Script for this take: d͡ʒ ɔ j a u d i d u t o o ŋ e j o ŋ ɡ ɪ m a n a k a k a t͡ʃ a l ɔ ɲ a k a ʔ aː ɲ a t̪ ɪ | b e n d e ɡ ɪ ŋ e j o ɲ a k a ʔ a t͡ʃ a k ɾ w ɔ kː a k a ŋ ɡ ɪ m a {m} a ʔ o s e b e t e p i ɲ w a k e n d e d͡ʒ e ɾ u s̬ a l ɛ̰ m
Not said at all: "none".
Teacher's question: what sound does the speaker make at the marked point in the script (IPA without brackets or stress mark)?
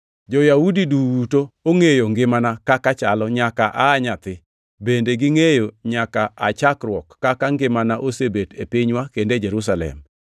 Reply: n